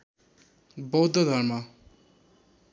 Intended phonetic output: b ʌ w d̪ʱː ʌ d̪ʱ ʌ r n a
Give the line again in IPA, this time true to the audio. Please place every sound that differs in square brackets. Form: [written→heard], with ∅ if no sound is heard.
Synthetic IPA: b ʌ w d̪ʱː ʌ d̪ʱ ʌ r [n→m] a